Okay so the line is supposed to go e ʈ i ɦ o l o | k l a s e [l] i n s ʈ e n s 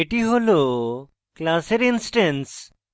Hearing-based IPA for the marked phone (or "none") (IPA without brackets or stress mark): ɾ